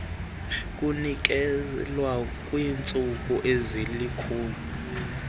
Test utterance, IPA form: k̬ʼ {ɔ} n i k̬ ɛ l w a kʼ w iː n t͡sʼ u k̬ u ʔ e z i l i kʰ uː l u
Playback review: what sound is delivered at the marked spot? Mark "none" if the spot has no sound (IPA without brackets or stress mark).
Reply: u